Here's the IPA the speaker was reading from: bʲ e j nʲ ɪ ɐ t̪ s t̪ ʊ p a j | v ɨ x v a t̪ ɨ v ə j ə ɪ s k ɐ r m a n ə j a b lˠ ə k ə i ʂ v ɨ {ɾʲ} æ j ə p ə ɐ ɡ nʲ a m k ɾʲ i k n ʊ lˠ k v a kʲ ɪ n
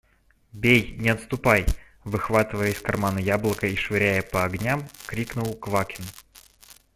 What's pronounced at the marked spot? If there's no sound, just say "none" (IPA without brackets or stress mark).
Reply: ɾʲ